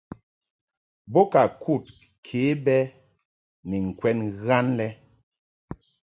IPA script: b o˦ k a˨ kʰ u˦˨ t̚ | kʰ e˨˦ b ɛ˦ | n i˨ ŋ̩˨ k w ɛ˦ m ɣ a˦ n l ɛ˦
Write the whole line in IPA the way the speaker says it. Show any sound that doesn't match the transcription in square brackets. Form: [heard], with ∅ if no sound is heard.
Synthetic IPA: b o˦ k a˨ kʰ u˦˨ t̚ | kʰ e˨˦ b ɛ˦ | n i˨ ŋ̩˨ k w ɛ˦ [n] ɣ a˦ n l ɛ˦